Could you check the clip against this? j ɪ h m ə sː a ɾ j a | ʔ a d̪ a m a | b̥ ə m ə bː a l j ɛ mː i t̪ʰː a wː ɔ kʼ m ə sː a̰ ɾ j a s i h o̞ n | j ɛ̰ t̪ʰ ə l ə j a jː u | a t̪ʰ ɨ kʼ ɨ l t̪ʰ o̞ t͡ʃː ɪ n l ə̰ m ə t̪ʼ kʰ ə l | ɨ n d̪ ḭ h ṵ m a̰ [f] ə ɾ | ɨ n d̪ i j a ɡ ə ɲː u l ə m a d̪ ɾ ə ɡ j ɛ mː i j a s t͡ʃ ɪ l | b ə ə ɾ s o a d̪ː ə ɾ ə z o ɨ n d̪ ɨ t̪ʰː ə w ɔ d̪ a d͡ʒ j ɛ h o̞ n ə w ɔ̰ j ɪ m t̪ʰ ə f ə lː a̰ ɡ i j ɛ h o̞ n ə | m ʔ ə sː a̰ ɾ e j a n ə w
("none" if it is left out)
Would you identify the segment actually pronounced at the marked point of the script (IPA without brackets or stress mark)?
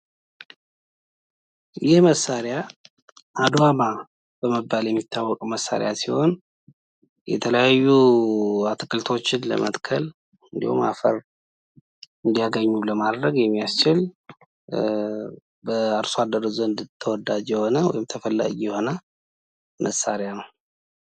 f